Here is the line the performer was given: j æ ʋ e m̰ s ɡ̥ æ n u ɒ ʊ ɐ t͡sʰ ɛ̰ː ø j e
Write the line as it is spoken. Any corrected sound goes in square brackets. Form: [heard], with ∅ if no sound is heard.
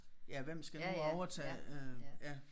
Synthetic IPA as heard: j æ ʋ e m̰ s ɡ̥ æ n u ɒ ʊ ɐ t͡sʰ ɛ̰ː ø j [æ]